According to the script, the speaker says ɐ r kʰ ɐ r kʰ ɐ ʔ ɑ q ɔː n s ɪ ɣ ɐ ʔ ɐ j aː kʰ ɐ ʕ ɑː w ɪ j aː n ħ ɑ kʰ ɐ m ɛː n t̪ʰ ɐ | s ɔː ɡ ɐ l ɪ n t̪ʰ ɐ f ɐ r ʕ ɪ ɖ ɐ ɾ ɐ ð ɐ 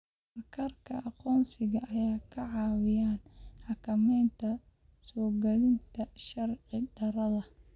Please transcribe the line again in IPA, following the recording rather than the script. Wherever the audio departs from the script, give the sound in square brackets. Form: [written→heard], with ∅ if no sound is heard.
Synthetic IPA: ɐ r kʰ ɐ r kʰ ɐ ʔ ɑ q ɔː n s ɪ ɣ ɐ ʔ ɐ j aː kʰ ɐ ʕ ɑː w ɪ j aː n ħ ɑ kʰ ɐ m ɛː n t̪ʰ ɐ | s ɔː ɡ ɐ l ɪ n t̪ʰ ɐ [f→ʃ] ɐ r ʕ ɪ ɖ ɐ ɾ ɐ ð ɐ